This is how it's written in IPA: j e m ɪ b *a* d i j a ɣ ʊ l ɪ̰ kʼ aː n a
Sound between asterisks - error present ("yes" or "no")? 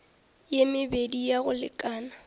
yes